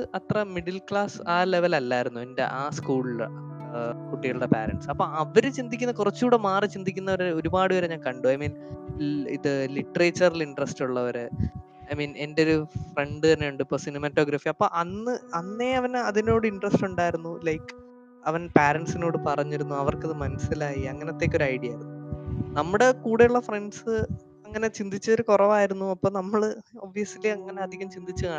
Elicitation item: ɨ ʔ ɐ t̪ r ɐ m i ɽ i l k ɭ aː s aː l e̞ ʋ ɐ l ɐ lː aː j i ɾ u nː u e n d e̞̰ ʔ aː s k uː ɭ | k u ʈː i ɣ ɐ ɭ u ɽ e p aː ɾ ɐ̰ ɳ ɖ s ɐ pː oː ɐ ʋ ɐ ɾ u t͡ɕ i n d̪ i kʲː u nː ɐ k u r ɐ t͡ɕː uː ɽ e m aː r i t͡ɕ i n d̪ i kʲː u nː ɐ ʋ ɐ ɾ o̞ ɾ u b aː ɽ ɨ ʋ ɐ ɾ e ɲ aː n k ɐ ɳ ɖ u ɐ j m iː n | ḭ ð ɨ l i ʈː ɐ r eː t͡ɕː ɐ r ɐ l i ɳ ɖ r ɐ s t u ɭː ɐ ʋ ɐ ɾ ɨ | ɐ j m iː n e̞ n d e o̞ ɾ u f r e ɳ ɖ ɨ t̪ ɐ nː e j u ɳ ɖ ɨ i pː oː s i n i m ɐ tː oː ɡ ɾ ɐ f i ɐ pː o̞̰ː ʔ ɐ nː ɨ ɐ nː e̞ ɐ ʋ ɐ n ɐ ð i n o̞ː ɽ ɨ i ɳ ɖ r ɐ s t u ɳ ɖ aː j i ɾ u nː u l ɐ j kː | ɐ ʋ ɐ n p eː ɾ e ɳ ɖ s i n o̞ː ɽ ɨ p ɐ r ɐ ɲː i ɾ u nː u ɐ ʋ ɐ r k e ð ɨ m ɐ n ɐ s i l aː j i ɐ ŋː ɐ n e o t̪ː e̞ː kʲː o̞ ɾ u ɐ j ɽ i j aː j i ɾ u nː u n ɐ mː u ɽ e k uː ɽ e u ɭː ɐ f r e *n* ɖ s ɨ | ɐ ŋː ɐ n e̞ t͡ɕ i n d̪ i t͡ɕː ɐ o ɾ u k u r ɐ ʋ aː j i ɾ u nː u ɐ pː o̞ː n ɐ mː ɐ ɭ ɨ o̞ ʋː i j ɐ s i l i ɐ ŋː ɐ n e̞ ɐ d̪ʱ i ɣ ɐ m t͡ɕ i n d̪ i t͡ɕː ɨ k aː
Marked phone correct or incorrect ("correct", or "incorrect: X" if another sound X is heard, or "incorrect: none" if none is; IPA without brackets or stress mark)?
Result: incorrect: ɳ